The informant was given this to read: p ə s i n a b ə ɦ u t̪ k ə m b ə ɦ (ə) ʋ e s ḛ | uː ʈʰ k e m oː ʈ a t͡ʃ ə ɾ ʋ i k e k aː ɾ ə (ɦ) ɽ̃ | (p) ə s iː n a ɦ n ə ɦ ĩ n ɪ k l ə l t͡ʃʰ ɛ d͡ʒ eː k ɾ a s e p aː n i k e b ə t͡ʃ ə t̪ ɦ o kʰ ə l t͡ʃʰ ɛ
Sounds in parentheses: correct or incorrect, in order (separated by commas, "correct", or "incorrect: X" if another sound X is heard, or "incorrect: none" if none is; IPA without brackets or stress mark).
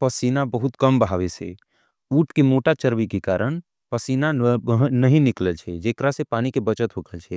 incorrect: a, incorrect: none, correct